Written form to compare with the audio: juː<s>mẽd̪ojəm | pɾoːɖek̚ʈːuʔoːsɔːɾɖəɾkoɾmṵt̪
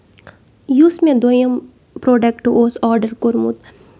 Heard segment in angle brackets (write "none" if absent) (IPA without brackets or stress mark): s